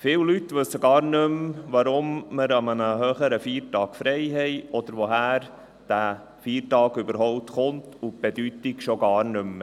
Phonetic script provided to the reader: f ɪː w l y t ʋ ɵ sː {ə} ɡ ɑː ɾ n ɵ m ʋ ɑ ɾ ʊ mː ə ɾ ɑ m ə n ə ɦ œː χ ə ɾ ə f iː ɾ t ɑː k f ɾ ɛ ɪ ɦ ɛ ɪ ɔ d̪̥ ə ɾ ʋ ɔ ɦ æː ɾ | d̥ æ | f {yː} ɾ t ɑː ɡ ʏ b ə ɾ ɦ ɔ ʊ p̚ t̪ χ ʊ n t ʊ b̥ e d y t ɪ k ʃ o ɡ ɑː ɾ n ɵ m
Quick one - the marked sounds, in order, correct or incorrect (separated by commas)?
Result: correct, incorrect